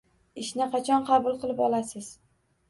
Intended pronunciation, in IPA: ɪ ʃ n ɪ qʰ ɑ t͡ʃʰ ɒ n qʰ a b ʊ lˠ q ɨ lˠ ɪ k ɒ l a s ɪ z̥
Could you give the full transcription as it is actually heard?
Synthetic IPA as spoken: ɪ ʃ n ɪ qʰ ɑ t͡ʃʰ ɒ n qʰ ɑ b ʊ lˠ q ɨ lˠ ɪ p ɒ l a s ɪ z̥